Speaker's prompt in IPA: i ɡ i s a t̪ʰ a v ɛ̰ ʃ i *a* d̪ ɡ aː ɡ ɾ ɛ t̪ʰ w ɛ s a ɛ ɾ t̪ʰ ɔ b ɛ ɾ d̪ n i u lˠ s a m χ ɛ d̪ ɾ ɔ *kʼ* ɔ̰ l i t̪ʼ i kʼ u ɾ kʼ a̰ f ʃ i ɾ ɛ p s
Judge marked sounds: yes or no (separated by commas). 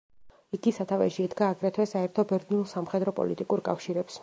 no, no